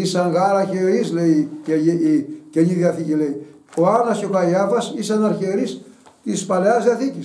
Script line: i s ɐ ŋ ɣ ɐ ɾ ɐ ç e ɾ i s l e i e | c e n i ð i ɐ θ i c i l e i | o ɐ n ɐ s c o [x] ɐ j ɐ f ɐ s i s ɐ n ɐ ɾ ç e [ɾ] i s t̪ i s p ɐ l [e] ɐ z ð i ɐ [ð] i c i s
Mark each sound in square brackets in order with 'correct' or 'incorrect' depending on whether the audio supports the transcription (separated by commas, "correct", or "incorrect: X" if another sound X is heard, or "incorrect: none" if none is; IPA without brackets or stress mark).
incorrect: k, correct, correct, incorrect: θ